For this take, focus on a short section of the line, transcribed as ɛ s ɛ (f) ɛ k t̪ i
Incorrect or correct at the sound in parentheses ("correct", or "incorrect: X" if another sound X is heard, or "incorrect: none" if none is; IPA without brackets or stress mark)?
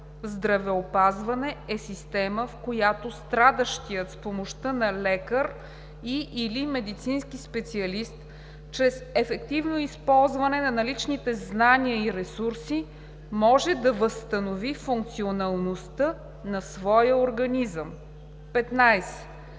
correct